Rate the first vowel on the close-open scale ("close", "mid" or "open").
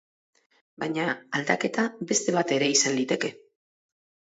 open